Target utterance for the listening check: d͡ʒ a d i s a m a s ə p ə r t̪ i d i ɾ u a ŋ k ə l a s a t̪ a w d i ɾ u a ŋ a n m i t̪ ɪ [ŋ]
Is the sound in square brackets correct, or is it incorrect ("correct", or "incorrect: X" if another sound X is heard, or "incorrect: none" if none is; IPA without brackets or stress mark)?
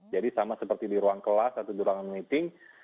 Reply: correct